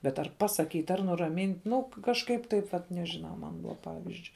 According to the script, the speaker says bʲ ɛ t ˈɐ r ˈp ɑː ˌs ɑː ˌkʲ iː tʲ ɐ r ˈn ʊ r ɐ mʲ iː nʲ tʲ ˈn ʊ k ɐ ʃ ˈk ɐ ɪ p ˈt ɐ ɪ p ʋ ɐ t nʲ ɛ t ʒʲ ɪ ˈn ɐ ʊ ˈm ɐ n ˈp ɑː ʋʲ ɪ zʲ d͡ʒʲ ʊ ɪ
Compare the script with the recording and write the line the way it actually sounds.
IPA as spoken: bʲ ɛ t ˈɐ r ˈp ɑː ˌs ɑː ˌkʲ iː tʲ ɐ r ˈn ʊ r ɐ mʲ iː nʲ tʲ ˈn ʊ k ɐ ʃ ˈk ɐ ɪ p ˈt ɐ ɪ p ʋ ɐ t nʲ ɛ ʒʲ ɪ ˈn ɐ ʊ ˈm ɐ n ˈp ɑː ʋʲ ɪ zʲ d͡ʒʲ ʊ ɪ